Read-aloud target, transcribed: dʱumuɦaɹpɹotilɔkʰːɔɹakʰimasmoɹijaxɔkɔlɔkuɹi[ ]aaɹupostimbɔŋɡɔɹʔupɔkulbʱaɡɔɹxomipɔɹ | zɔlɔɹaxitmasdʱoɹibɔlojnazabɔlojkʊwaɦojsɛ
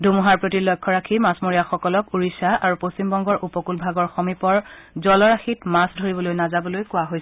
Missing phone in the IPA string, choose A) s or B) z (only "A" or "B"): A